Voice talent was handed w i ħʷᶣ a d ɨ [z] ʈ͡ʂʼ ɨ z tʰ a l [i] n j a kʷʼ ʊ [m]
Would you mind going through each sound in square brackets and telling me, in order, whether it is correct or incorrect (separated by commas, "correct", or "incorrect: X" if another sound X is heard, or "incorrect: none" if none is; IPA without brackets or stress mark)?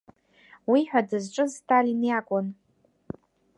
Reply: correct, correct, incorrect: n